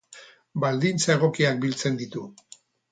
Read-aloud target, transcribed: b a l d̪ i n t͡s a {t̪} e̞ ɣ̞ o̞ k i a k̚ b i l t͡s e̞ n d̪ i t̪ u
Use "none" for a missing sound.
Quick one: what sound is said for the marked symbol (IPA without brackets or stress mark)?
none